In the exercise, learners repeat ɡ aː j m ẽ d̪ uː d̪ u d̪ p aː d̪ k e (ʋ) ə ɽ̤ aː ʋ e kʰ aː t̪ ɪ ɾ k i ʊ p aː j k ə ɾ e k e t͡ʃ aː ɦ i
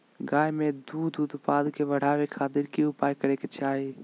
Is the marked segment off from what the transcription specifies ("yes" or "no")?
no